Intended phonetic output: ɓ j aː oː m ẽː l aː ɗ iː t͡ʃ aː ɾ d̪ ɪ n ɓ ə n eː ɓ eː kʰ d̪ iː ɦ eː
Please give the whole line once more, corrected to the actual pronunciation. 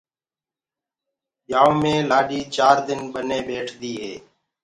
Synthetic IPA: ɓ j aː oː m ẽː l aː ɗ iː t͡ʃ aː ɾ d̪ ɪ n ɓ ə n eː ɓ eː ʈʰ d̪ iː ɦ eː